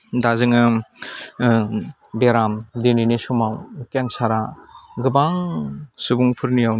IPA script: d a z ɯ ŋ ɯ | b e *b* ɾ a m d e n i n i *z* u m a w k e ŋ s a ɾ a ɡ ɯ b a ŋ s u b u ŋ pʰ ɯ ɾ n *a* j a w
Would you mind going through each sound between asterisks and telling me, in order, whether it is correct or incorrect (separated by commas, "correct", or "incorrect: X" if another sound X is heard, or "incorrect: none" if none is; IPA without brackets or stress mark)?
incorrect: none, incorrect: s, incorrect: i